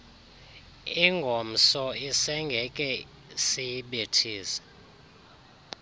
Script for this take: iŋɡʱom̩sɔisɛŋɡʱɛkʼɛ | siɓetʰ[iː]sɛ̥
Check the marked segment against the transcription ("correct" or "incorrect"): correct